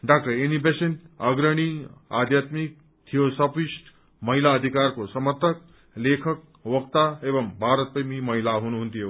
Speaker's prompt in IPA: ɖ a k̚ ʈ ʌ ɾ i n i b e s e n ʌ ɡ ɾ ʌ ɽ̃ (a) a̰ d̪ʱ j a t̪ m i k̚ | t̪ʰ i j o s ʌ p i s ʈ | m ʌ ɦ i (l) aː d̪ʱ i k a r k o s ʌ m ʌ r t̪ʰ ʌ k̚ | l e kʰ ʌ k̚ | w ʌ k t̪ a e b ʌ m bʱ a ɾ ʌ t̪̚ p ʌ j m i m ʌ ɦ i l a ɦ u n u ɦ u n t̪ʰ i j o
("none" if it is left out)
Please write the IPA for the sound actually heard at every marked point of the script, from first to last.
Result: i, l

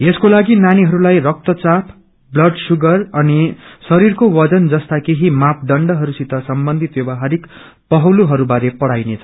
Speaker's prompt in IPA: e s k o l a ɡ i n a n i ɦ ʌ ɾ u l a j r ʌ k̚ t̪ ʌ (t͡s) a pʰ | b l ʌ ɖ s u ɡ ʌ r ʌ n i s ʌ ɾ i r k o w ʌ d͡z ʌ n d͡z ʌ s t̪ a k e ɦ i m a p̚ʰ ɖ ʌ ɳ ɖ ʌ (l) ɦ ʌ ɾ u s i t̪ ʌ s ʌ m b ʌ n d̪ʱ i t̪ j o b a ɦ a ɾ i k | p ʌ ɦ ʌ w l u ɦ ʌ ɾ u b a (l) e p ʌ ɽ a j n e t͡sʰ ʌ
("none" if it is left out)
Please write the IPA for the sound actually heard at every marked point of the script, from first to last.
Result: t͡s, none, ɾ

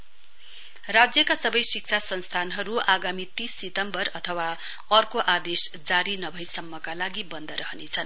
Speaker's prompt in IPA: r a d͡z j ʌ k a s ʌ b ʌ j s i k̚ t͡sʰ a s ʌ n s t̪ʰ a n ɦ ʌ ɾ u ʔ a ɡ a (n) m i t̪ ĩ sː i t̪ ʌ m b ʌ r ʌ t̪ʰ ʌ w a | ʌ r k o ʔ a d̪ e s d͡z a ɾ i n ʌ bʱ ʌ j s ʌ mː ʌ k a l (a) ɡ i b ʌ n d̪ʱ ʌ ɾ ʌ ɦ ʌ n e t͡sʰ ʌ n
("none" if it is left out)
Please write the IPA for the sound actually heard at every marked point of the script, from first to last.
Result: none, a

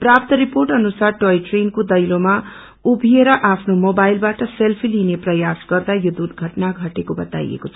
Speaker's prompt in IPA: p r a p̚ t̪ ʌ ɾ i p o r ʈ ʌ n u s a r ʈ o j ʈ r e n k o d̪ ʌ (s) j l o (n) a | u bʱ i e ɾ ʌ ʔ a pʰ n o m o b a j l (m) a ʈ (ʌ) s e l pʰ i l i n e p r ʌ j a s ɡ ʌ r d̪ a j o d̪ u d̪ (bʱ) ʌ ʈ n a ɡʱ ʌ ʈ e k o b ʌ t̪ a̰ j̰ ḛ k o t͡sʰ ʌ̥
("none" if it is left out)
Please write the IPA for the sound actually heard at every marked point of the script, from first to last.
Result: none, m, b, ʌ, ɡʱ

